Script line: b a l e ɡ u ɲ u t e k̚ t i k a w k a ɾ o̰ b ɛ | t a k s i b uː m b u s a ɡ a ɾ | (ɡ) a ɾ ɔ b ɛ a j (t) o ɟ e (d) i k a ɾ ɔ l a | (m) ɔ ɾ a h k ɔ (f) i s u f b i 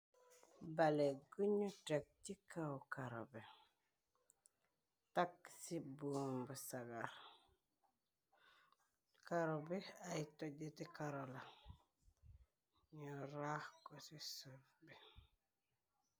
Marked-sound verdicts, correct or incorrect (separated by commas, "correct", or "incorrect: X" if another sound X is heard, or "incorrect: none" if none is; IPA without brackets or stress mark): incorrect: k, correct, incorrect: t, incorrect: ɲ, incorrect: s